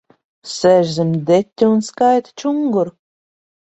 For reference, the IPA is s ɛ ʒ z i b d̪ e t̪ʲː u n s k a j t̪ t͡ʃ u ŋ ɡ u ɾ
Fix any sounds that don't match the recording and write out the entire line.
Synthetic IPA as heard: s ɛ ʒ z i m d̪ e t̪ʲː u n s k a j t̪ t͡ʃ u ŋ ɡ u ɾ